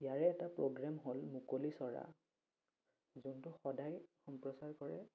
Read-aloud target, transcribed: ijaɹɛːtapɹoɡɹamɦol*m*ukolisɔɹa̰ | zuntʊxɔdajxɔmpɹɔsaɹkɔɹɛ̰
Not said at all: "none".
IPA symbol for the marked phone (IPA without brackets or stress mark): m